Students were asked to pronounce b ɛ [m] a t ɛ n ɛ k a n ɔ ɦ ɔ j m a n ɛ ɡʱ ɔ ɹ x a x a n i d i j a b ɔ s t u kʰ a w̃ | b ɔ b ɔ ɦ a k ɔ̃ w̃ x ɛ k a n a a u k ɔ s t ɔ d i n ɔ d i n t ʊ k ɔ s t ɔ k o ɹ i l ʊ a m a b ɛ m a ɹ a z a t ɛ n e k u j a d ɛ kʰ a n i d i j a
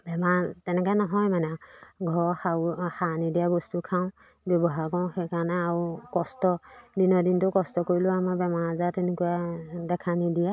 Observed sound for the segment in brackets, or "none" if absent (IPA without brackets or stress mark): m